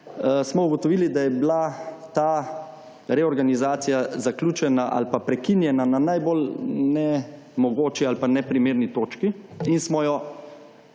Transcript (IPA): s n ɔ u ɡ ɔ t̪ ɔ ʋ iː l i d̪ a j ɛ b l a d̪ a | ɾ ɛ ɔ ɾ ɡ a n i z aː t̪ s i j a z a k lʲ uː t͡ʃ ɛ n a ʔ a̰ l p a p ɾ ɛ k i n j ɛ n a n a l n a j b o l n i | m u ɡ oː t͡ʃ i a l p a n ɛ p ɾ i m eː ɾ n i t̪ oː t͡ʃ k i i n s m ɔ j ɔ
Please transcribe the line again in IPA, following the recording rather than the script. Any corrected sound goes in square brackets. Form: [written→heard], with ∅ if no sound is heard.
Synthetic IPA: s [n→m] ɔ u ɡ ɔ t̪ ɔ ʋ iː l i d̪ a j ɛ b l a [d̪→t̪] a | ɾ ɛ ɔ ɾ ɡ a n i z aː t̪ s i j a z a k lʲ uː t͡ʃ ɛ n a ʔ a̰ l p a p ɾ ɛ k i n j ɛ n a n a [l→∅] n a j b o l n [i→ɛ] | m [u→ɔ] ɡ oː t͡ʃ i a l p a n ɛ p ɾ i m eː ɾ n i t̪ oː t͡ʃ k i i n s m ɔ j ɔ